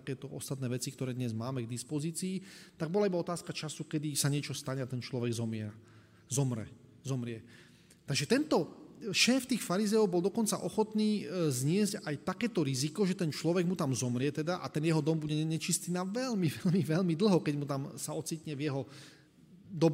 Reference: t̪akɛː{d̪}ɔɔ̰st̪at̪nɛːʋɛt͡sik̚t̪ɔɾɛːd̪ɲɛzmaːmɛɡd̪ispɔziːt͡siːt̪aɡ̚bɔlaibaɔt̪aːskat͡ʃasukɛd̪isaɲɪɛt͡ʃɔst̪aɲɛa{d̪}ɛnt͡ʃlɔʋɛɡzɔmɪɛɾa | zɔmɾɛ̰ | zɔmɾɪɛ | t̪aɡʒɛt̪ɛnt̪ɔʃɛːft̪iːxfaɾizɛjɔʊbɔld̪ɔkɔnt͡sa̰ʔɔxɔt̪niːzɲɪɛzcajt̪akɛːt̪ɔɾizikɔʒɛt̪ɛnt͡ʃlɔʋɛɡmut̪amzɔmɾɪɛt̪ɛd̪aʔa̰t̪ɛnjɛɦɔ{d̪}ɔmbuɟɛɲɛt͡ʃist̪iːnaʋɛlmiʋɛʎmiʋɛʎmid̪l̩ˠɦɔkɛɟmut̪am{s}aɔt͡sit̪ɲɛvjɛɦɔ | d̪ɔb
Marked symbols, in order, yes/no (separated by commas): no, no, yes, yes